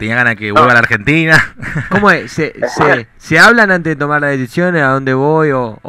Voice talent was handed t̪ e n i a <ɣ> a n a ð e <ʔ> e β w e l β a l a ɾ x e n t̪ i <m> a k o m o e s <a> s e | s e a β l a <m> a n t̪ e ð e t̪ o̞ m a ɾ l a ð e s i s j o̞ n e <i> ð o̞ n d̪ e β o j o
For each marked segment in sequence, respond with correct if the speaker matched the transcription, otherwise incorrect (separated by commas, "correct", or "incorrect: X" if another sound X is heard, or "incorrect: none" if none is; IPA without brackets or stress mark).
correct, incorrect: k, incorrect: n, incorrect: e, incorrect: n, incorrect: a